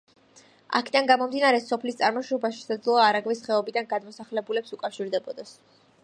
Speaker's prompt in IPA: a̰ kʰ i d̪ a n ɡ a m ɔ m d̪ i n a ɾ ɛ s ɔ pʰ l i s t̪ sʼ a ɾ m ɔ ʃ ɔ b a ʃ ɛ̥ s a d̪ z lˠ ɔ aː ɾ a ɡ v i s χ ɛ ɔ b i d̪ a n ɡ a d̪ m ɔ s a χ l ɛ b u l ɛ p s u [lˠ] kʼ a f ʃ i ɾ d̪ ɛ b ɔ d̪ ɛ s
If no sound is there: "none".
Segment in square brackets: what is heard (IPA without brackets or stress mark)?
none